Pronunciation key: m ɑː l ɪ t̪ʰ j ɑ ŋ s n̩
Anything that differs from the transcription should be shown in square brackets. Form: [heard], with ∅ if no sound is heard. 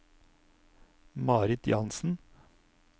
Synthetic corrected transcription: m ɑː [ɾ] ɪ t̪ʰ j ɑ [n] s n̩